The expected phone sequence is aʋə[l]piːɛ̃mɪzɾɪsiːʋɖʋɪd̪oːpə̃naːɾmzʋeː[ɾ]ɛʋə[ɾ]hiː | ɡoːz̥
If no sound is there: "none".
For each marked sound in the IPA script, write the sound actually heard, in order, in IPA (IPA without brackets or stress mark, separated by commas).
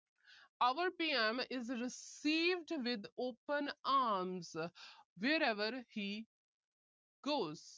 ɾ, ɾ, ɾ